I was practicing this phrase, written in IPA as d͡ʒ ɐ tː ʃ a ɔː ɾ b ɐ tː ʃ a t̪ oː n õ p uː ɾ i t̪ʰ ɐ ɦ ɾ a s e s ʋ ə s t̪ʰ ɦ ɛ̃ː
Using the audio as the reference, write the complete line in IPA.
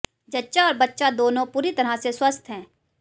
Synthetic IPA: d͡ʒ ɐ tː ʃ a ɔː ɾ b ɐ tː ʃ a d̪ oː n õ p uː ɾ i t̪ ɐ ɾ a s e s w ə s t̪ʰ ɦ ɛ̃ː

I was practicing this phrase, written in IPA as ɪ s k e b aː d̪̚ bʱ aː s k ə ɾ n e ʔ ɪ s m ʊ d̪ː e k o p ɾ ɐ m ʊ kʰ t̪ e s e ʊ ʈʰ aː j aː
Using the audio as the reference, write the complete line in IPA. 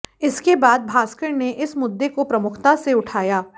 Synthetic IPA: ɪ s k e b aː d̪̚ bʱ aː s k ə ɾ n e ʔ ɪ s m ʊ d̪ː e k o p ɾ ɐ m ʊ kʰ t̪ a s e ʊ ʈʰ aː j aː

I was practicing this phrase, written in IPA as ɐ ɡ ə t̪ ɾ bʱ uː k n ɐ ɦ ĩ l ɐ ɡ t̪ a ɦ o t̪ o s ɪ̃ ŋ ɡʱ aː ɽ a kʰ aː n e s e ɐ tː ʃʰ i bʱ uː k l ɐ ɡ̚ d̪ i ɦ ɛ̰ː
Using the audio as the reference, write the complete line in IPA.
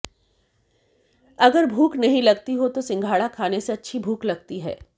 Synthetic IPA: ɐ ɡ ə ɾ bʱ uː k n ɐ ɦ ĩ l ɐ ɡ t̪ i ɦ o t̪ o s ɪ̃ ŋ ɡʱ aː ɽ a kʰ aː n e s e ɐ tː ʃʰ i bʱ uː k l ɐ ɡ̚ t̪ i ɦ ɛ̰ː

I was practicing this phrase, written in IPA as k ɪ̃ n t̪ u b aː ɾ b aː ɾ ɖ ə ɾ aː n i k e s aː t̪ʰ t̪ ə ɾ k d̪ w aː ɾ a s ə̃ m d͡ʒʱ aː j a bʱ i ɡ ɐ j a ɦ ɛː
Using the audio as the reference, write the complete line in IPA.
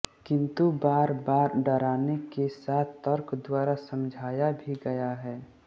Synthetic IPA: k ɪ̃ n t̪ u b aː ɾ b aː ɾ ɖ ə ɾ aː n e k e s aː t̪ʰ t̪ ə ɾ k d̪ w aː ɾ a s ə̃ m d͡ʒʱ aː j a bʱ i ɡ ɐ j a ɦ ɛː

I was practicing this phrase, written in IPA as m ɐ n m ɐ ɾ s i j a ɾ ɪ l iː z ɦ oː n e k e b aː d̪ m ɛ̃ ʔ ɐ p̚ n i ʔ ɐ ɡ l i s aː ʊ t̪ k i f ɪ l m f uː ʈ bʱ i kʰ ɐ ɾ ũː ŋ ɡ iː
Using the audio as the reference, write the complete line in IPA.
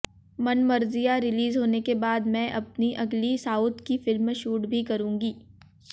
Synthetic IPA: m ɐ n m ɐ ɾ z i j a ɾ ɪ l iː z ɦ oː n e k e b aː d̪ m ɛ̃ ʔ ɐ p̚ n i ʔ ɐ ɡ l i s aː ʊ t̪ k i f ɪ l m ʃ uː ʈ bʱ i k ɐ ɾ ũː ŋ ɡ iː

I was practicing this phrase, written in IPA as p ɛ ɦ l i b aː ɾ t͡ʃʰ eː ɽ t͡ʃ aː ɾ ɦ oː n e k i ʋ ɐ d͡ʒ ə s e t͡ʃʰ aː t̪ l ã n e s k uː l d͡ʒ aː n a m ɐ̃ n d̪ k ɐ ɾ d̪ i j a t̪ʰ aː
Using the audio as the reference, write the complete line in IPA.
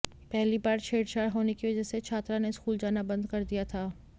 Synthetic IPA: p ɛ ɦ l i b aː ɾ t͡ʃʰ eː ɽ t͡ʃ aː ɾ ɦ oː n e k i ʋ ɐ d͡ʒ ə s e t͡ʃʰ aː t̪ ɾ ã n e s k uː l d͡ʒ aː n a b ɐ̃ n d̪ k ɐ ɾ d̪ i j a t̪ʰ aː

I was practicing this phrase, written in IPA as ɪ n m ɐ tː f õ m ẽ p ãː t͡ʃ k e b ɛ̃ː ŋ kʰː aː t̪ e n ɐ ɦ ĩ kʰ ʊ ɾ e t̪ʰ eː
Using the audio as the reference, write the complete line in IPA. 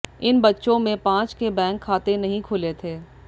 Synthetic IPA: ɪ n b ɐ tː ʃ õ m ẽ p ãː t͡ʃ k e b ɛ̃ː ŋ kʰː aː t̪ e n ɐ ɦ ĩ kʰ ʊ l e t̪ʰ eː

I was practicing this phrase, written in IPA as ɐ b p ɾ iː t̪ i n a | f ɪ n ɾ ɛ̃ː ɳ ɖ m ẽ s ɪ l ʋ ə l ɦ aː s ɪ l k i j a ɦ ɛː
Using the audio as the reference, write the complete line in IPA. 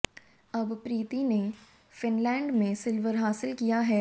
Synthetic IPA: ɐ b p ɾ iː t̪ i n e | f ɪ n l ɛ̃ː ɳ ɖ m ẽ s ɪ l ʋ ə ɾ ɦ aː s ɪ l k i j a ɦ ɛː

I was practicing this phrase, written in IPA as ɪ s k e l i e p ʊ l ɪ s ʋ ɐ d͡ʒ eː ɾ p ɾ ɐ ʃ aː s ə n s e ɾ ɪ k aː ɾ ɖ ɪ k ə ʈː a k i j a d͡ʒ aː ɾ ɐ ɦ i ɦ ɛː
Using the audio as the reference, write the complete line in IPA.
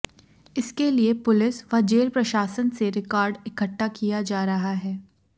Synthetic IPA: ɪ s k e l i e p ʊ l ɪ s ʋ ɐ d͡ʒ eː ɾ p ɾ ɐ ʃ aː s ə n s e ɾ ɪ k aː ɾ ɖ ɪ k ə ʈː a k i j a d͡ʒ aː ɾ ɐ ɦ a ɦ ɛː

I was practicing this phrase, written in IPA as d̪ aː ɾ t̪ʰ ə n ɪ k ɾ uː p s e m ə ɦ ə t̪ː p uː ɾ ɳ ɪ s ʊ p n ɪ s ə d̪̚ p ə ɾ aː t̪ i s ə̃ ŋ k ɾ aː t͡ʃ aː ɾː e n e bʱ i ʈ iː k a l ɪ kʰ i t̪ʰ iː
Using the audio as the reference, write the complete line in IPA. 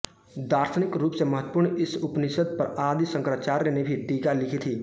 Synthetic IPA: d̪ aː ɾ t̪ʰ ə n ɪ k ɾ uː p s e m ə ɦ ə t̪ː p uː ɾ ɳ ɪ s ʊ p n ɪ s ə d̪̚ p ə ɾ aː d̪ i s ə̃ ŋ k ɾ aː t͡ʃ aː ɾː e n e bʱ i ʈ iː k a l ɪ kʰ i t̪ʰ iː

